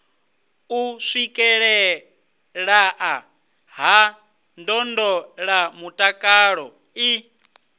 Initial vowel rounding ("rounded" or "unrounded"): rounded